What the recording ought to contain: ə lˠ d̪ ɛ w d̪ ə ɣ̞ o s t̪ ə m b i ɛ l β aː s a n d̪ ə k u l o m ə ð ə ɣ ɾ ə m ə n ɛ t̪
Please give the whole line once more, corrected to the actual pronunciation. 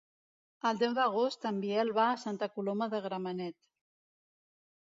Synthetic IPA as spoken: ə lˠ d̪ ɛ w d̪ ə ɣ̞ o s t̪ ə m b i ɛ l β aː s a n t̪ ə k u l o m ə ð ə ɣ ɾ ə m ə n ɛ t̪